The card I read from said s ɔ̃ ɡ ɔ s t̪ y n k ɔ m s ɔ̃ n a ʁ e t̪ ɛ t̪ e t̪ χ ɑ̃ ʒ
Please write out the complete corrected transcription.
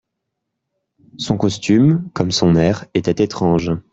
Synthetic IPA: s ɔ̃ k ɔ s t̪ y m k ɔ m s ɔ̃ n ɛ ʁ e t̪ ɛ t̪ e t̪ χ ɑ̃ ʒ